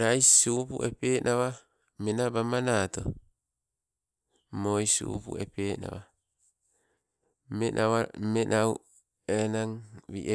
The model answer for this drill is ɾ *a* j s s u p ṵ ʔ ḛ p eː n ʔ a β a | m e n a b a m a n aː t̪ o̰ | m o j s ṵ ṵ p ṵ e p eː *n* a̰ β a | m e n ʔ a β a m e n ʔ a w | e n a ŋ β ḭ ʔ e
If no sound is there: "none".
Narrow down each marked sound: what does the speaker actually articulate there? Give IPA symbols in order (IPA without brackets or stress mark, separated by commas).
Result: a, n